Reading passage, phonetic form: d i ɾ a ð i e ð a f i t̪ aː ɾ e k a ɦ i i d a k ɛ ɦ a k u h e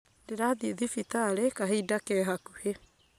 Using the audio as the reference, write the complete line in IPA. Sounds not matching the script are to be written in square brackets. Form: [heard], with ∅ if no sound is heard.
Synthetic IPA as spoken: d [e] ɾ a ð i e ð [i] f i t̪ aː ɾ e k a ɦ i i d a k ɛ ɦ a k u h e